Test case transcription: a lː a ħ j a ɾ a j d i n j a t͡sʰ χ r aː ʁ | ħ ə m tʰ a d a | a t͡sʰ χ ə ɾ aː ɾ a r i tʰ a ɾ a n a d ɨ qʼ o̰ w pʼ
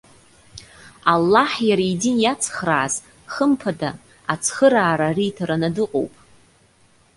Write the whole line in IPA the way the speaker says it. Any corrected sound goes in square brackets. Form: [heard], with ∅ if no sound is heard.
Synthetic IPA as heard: a lː a ħ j a ɾ a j d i n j a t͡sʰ χ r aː [z] | [χ] ə m [pʰ] a d a | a t͡sʰ χ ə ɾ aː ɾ a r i tʰ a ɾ a n a d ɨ qʼ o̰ w pʼ